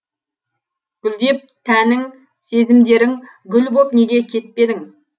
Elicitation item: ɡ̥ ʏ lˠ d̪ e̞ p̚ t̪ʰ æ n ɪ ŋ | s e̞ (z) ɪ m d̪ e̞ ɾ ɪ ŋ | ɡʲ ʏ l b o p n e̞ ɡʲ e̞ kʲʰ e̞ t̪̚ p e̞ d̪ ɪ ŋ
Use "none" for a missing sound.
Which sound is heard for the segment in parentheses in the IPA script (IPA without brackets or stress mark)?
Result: z